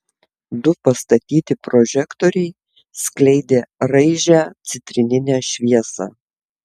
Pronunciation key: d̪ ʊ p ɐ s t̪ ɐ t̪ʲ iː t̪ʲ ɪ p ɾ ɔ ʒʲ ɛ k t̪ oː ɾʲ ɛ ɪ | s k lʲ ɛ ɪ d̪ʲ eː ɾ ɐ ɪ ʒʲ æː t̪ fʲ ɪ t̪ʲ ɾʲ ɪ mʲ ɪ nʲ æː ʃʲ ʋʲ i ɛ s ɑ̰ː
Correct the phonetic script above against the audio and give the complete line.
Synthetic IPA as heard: d̪ ʊ p ɐ s t̪ ɐ t̪ʲ iː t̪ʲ ɪ p ɾ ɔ ʒʲ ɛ k t̪ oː ɾʲ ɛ ɪ | s k lʲ ɛ ɪ d̪ʲ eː ɾ ɐ ɪ ʒʲ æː t̪ sʲ ɪ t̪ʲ ɾʲ ɪ nʲ ɪ nʲ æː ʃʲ ʋʲ i ɛ s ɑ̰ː